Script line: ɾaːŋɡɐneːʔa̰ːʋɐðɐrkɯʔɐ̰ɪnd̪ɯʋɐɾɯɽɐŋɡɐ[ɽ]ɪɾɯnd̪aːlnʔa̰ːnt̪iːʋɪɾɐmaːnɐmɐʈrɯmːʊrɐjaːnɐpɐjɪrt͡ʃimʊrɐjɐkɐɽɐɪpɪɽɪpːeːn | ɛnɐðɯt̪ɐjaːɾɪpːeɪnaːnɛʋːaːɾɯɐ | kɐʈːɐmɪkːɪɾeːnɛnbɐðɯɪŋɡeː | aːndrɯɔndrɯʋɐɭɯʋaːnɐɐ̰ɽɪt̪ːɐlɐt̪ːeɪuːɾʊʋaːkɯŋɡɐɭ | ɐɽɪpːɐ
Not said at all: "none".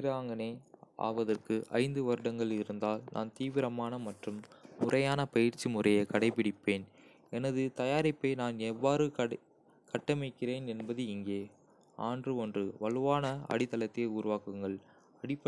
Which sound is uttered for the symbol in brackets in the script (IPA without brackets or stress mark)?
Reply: ɭ